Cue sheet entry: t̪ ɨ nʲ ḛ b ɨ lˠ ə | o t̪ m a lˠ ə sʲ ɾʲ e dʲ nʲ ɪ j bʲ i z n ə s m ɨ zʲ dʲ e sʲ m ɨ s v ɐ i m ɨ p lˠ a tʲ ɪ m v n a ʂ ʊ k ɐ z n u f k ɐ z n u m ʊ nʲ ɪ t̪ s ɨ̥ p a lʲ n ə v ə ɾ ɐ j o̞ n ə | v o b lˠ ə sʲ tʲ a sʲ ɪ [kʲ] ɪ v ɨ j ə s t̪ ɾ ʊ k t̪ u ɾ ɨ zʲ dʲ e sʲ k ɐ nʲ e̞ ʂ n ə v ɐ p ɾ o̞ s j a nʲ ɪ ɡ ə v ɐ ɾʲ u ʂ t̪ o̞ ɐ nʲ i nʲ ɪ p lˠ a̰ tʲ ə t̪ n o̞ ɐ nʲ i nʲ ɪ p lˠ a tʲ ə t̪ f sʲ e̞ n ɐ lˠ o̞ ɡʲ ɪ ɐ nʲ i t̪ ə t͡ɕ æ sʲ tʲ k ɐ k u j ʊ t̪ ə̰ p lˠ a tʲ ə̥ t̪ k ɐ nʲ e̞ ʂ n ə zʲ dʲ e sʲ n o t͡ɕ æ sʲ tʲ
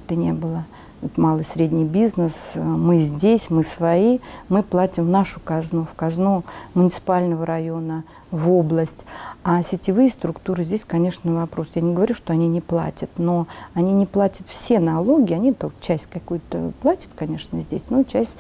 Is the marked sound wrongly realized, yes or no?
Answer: yes